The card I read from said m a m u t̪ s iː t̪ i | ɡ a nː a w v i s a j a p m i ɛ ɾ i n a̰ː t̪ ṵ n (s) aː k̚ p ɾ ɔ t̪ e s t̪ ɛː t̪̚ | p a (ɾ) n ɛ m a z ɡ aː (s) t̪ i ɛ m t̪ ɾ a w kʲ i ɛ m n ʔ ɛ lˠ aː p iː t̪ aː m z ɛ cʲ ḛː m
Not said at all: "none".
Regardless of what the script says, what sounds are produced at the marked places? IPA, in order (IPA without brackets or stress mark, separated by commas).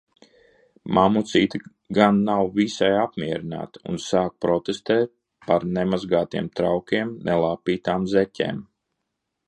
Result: s, ɾ, none